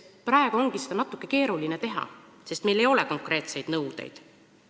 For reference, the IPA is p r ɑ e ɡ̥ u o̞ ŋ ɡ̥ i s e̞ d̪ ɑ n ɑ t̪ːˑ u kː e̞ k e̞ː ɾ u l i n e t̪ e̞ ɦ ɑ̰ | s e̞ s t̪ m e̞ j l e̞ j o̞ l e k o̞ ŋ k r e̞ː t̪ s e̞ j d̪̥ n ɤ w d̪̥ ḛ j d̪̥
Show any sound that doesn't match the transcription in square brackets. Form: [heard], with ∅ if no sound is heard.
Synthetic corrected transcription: p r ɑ e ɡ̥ u o̞ ŋ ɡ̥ i s e̞ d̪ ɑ n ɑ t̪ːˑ u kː e̞ k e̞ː ɾ u l i n e t̪ e̞ ɦ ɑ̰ | s e̞ s t̪ m e̞ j l e̞ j o̞ l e k o̞ ŋ k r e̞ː t̪ s e̞ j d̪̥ n ɤ w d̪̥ ḛ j d̪̥